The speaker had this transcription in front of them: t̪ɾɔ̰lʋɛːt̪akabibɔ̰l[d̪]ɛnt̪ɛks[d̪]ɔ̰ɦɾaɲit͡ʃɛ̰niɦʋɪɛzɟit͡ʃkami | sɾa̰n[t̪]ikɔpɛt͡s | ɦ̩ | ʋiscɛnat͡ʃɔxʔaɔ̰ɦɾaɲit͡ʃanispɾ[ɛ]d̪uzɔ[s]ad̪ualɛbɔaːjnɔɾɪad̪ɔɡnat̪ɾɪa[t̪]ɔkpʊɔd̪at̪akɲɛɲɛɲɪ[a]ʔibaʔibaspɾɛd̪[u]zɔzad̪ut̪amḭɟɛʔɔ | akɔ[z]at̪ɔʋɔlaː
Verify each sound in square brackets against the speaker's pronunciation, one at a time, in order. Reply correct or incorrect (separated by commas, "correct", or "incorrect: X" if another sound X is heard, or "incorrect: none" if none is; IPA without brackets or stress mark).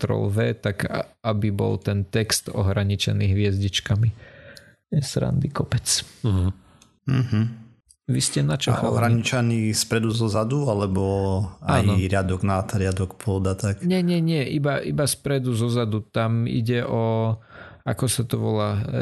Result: incorrect: t̪, incorrect: t̪, incorrect: d̪, correct, incorrect: z, incorrect: d̪, incorrect: ɛ, correct, incorrect: s